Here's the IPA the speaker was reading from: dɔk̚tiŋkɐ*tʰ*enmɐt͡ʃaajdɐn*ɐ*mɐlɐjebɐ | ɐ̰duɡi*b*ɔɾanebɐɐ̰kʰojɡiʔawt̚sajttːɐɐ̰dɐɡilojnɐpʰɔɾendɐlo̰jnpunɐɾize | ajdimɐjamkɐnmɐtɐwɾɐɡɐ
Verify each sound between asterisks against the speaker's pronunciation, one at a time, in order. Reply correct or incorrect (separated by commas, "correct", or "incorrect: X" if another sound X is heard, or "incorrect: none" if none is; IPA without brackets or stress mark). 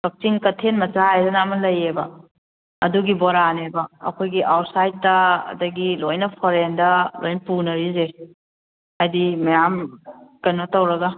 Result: correct, incorrect: a, correct